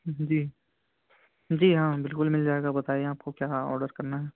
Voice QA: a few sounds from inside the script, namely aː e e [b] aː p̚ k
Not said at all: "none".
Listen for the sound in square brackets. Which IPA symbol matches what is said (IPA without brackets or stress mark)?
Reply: none